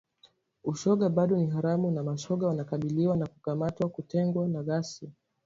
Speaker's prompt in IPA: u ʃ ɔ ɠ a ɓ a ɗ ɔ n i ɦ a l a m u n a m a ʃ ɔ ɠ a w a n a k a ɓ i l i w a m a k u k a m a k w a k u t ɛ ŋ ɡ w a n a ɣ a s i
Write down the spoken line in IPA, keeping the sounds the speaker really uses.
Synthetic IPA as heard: u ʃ ɔ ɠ a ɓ a ɗ ɔ n i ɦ a ɾ a m u n a m a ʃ ɔ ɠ a w a n a k a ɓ i l i w a n a k u k a m a t w a k u t ɛ ŋ ɡ w a n a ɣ a s i